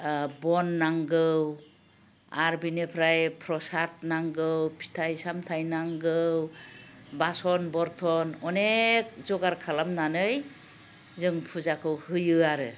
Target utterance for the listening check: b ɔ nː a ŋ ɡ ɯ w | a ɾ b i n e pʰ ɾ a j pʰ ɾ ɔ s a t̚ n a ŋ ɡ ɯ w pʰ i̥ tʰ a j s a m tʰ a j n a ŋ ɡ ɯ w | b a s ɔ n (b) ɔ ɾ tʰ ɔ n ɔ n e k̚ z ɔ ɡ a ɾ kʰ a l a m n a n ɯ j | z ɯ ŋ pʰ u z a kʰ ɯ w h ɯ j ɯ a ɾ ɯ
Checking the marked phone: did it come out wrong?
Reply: no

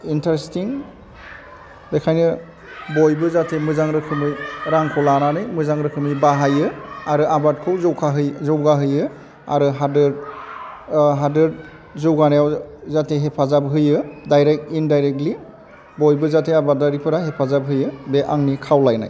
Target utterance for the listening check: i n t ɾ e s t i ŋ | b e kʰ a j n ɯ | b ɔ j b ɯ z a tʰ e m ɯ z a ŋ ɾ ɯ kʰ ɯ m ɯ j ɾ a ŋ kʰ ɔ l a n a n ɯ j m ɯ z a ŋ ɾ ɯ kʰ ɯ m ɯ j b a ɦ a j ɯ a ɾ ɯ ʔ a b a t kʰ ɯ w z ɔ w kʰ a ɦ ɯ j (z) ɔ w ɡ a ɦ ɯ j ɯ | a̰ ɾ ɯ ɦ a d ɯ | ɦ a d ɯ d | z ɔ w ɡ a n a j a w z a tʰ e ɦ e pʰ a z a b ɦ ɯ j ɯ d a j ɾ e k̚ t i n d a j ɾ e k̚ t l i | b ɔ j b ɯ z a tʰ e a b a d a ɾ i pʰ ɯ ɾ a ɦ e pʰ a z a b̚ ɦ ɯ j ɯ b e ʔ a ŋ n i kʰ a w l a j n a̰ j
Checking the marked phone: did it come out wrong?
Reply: no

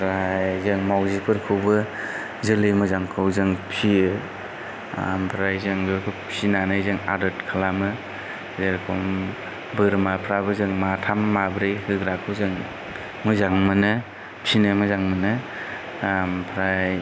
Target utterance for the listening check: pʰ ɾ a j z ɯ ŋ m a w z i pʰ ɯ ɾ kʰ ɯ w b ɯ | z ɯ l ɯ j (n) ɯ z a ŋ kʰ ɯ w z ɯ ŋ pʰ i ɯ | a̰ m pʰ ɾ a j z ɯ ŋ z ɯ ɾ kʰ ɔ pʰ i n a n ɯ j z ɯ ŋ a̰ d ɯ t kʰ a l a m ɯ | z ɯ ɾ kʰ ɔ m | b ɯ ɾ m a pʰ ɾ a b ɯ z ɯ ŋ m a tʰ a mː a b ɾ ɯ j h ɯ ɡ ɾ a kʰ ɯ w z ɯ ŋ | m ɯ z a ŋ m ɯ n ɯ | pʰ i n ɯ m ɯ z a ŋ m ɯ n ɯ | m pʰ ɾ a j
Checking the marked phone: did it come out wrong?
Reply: yes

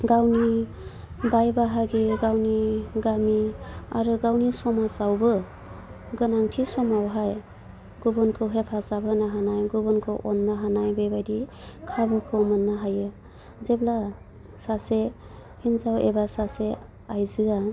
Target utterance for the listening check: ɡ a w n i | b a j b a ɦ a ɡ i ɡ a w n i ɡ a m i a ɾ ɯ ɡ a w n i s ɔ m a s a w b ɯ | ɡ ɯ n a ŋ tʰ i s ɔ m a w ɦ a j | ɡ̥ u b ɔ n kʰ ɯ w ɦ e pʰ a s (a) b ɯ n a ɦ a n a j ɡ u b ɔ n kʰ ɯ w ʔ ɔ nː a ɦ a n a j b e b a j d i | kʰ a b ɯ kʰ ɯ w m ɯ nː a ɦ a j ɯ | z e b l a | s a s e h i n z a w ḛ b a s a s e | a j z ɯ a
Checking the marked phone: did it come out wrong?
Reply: no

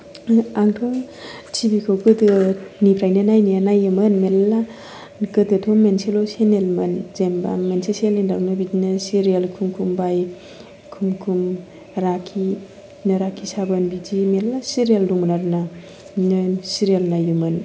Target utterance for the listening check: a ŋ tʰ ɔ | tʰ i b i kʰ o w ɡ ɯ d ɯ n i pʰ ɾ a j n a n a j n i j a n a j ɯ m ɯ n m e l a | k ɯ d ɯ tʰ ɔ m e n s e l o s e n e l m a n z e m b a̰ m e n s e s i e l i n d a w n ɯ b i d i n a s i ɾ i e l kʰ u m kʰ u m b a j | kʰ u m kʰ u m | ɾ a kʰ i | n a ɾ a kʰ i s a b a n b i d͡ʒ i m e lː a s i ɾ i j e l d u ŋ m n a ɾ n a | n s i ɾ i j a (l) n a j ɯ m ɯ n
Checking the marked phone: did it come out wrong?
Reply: no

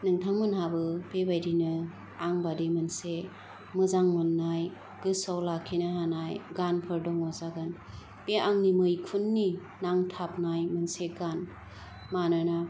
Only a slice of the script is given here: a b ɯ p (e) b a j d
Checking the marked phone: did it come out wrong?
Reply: no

